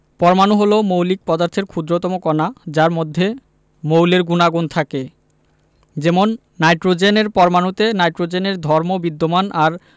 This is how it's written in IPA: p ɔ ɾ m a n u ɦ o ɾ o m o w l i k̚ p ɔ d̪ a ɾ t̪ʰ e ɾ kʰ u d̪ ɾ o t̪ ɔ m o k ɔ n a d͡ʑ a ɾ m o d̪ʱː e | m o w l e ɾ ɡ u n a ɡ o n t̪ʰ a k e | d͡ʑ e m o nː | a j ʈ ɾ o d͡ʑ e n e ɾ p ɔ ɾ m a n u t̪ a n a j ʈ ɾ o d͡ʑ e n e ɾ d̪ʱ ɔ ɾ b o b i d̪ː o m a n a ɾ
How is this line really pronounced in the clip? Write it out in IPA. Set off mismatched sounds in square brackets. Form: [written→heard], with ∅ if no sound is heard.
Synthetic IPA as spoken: p ɔ ɾ m a n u ɦ o [ɾ→l] o m o w l i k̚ p ɔ d̪ a ɾ t̪ʰ e ɾ kʰ u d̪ ɾ o t̪ ɔ m o k ɔ n a d͡ʑ a ɾ m o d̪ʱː e | m o w l e ɾ ɡ u n a ɡ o n t̪ʰ a k e | d͡ʑ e m o nː | a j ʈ ɾ o d͡ʑ e n e ɾ p ɔ ɾ m a n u t̪ [a→e] n a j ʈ ɾ o d͡ʑ e n e ɾ d̪ʱ ɔ ɾ [b→m] o b i d̪ː o m a n a ɾ